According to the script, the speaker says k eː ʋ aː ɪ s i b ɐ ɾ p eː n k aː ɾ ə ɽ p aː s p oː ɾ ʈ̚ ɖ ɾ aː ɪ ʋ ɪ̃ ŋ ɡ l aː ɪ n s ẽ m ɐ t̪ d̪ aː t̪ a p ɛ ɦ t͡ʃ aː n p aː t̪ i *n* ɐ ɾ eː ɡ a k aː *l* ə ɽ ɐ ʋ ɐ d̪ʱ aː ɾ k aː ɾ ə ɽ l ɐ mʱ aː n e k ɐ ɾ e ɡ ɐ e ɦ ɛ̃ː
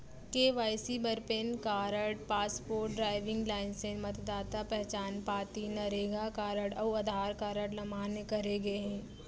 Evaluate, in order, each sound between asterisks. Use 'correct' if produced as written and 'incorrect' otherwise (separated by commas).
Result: correct, incorrect